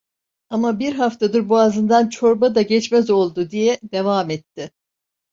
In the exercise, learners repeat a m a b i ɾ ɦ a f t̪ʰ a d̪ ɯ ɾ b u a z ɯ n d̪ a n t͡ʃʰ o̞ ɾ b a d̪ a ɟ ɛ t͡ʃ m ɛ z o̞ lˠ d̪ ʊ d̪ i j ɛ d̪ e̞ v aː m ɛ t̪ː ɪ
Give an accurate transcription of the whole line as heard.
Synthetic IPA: a m a b i ɾ ɦ a f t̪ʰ a d̪ ɯ ɾ b u a z ɯ n d̪ a n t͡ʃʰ o̞ ɾ b a d̪ a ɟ ɛ t͡ʃ m ɛ z o̞ lˠ d̪ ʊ d̪ i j ɛ d̪ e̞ v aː m ɛ t̪ː ɪ